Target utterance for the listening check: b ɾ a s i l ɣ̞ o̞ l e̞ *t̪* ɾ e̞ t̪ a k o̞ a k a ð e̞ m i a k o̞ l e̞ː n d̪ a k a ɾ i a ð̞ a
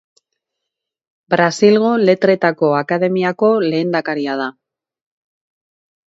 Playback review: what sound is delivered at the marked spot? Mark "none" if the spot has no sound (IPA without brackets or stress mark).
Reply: t̪